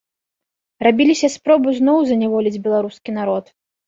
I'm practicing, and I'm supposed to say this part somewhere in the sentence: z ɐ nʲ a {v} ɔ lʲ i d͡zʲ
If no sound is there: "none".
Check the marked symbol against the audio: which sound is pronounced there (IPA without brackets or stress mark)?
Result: v